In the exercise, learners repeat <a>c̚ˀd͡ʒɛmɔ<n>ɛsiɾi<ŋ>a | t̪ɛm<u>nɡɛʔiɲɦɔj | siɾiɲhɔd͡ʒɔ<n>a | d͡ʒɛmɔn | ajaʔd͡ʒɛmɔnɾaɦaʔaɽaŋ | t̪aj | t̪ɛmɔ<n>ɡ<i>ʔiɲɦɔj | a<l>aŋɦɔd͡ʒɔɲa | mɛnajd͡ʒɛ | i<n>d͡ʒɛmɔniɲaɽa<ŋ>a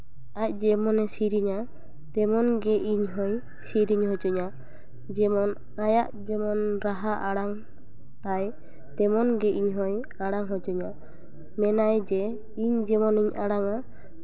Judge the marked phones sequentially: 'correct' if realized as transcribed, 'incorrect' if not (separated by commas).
correct, correct, incorrect, incorrect, incorrect, correct, incorrect, incorrect, incorrect, correct